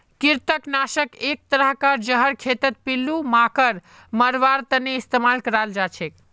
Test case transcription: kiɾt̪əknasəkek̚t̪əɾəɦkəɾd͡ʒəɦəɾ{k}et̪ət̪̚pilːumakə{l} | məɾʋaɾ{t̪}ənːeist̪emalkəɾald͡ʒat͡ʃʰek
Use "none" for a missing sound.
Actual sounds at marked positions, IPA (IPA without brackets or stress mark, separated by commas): kʰ, ɾ, t̪